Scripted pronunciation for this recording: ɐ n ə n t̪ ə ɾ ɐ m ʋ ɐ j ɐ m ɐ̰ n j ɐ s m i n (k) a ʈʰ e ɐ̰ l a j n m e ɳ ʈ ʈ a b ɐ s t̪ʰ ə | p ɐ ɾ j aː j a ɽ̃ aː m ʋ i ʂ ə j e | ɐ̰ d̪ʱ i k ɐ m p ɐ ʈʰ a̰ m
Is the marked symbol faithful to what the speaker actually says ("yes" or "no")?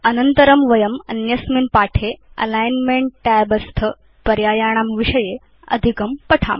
no